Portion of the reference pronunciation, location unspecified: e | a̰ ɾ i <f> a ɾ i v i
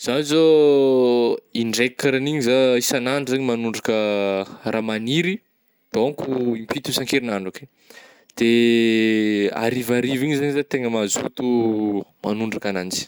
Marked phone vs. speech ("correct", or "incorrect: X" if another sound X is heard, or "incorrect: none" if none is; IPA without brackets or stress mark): incorrect: v